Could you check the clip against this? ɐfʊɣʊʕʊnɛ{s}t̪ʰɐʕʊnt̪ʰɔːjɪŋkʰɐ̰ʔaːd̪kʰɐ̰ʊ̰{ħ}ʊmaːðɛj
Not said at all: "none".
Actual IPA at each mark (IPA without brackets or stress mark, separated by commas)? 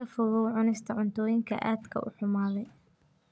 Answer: s, ħ